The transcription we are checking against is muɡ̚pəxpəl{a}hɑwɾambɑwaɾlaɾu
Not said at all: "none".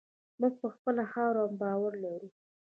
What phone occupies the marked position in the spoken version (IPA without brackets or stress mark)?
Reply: a